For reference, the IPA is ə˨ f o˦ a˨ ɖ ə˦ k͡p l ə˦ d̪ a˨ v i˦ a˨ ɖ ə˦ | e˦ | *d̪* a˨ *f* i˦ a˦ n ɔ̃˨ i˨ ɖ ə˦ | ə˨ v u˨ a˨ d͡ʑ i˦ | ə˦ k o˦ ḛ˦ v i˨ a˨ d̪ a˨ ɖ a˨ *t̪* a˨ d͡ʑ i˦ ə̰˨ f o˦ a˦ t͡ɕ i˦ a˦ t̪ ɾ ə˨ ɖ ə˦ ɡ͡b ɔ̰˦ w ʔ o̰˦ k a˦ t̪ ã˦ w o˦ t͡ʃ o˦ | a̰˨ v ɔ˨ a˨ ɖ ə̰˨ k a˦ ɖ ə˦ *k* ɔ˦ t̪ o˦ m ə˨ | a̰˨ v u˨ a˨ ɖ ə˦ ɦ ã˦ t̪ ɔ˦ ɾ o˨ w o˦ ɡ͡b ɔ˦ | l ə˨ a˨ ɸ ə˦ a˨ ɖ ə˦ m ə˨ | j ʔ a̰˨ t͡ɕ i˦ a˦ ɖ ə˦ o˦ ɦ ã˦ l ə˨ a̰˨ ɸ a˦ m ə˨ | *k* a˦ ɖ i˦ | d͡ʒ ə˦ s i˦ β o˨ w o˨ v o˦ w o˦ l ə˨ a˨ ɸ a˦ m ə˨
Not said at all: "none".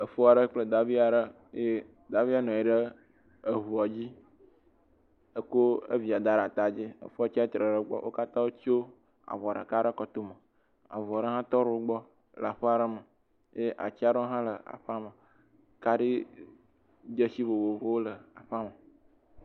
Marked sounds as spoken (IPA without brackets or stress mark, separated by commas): d̪, v, t̪, k, k